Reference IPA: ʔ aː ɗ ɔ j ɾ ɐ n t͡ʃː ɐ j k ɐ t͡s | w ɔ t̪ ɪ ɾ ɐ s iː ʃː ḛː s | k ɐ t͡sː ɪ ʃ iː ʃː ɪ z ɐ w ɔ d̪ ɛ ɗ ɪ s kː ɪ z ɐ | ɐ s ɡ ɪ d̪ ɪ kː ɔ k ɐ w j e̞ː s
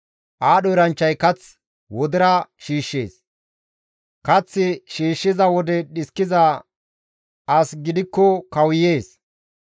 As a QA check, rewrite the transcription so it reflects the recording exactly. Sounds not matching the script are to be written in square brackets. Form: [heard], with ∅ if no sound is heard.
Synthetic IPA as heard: ʔ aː ɗ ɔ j ɾ ɐ n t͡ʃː ɐ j k ɐ t͡s | w ɔ [d̪] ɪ ɾ ɐ [ʃ] iː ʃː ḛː s | k ɐ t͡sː ɪ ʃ iː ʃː ɪ z ɐ w ɔ d̪ ɛ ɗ ɪ s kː ɪ z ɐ | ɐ s ɡ ɪ d̪ ɪ kː ɔ k ɐ w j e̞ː s